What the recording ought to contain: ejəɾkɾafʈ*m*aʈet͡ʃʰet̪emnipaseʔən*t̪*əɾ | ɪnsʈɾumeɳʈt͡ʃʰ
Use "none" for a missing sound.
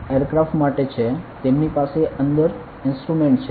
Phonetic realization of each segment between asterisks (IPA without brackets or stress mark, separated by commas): m, d̪